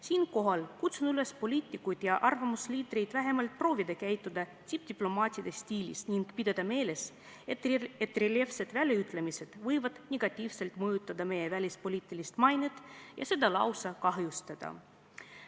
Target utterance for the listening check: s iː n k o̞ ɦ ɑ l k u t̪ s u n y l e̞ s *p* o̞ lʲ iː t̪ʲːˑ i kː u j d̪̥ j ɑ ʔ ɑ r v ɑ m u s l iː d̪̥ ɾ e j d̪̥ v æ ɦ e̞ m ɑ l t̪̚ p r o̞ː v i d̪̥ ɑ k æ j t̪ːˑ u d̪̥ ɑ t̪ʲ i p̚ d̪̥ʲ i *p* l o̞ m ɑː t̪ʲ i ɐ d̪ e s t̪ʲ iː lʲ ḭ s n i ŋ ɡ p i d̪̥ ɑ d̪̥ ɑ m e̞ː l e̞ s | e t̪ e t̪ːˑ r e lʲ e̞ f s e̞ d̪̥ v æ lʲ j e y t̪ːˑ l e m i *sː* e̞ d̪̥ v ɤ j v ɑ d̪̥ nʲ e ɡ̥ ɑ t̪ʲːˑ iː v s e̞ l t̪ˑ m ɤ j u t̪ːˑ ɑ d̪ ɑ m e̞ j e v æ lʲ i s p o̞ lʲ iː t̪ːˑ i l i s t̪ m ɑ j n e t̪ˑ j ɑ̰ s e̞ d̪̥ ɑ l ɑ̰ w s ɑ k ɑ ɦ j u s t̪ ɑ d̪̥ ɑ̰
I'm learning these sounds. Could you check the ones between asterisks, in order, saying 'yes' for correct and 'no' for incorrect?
yes, yes, no

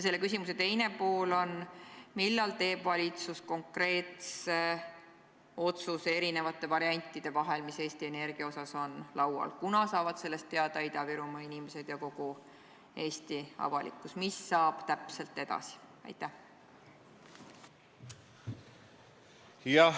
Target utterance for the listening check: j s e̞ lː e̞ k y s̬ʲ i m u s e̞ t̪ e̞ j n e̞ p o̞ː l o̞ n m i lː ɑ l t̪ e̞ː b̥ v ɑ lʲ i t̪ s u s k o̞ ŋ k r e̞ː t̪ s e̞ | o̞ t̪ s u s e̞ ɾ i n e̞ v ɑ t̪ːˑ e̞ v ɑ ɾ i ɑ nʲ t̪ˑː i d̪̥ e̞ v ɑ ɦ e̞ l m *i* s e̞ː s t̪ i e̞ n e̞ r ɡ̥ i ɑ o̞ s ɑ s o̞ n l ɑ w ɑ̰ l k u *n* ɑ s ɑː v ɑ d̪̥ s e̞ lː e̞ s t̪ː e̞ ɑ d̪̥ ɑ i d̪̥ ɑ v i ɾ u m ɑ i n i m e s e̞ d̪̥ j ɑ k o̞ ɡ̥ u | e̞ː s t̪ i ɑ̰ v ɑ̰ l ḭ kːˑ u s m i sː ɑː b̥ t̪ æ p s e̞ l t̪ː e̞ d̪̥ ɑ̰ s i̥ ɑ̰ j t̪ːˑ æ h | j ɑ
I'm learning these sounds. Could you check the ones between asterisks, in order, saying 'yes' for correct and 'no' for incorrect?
yes, yes

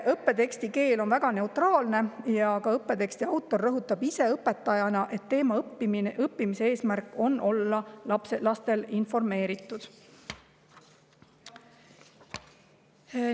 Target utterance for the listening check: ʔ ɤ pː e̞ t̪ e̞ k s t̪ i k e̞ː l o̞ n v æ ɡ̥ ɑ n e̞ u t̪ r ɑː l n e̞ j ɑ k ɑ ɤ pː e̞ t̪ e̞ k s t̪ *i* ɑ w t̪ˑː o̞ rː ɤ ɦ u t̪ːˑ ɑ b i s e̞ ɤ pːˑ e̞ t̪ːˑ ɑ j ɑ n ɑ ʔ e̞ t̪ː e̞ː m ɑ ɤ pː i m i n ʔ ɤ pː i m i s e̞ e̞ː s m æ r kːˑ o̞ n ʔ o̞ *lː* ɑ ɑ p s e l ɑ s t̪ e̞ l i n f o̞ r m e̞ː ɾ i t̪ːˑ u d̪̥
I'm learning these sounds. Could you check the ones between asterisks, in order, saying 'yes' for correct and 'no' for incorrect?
yes, yes

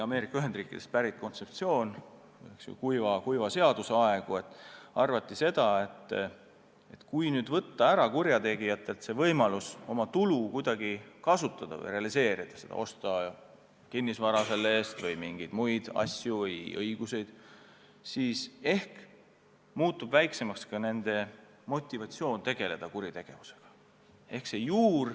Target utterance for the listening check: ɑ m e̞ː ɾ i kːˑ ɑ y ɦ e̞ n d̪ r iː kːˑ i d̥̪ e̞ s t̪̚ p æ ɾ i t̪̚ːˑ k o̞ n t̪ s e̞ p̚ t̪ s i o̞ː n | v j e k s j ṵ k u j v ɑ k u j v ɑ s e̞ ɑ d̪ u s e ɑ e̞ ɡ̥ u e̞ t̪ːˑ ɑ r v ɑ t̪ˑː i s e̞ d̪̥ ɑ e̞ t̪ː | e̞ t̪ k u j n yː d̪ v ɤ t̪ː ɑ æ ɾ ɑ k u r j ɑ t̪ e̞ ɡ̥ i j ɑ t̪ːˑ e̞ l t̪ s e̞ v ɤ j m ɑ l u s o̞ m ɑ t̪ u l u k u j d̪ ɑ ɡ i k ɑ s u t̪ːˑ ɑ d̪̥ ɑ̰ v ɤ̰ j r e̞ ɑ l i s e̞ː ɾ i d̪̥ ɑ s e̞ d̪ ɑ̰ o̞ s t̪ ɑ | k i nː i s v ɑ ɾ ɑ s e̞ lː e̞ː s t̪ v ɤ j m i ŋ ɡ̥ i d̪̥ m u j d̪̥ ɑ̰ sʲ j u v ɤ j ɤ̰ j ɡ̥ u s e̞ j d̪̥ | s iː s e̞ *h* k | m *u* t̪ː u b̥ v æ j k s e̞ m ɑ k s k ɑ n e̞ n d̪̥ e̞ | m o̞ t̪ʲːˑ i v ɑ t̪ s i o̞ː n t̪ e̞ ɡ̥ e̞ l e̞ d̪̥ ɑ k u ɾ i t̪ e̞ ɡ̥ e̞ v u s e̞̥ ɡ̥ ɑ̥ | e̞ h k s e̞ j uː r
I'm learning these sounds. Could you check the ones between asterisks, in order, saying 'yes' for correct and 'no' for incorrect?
yes, no

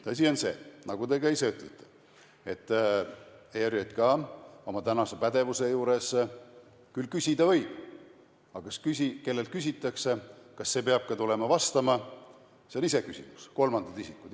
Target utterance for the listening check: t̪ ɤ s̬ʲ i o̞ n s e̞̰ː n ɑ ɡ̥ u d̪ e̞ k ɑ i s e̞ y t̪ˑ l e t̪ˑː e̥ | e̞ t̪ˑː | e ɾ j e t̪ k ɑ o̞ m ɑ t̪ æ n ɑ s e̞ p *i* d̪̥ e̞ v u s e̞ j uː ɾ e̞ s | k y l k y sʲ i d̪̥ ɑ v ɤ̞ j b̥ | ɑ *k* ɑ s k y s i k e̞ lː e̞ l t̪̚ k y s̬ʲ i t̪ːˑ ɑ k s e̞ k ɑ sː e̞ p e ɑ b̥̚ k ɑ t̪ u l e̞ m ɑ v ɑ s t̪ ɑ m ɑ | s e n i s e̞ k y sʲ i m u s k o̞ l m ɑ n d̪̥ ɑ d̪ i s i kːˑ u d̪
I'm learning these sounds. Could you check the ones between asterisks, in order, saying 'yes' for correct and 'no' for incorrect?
no, yes

